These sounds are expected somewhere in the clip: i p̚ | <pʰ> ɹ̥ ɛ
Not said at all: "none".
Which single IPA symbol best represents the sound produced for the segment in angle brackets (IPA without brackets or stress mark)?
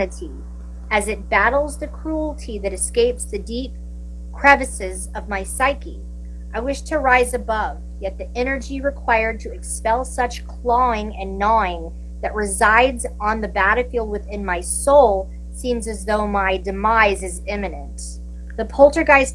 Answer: kʰ